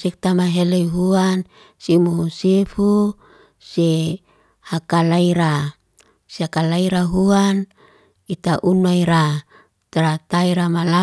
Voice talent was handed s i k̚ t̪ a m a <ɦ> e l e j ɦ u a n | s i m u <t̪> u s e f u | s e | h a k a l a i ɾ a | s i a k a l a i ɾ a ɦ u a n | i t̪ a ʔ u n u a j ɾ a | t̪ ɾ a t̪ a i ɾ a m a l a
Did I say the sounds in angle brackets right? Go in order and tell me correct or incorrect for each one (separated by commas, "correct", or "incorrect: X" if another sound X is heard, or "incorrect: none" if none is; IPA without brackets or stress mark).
correct, incorrect: none